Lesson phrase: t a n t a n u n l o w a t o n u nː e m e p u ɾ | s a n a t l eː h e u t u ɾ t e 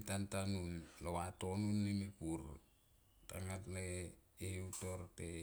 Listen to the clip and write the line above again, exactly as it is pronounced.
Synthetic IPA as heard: t a n t a n u n l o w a t o n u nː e m e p u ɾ | t a ŋ a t l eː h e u t o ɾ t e